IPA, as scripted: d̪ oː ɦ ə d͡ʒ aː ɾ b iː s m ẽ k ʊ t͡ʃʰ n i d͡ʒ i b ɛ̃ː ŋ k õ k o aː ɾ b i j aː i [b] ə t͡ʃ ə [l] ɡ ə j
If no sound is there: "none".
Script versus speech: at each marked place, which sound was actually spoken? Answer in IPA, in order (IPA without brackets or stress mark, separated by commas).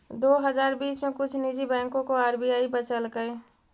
b, l